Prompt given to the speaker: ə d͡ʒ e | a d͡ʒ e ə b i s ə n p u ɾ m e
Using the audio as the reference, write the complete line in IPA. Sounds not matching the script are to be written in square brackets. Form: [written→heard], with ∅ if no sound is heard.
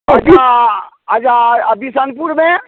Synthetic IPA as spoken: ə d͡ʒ [e→a] | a d͡ʒ [e→a] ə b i s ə n p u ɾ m e